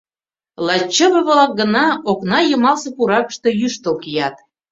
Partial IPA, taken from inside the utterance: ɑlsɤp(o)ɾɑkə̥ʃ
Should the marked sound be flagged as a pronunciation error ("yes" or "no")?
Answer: yes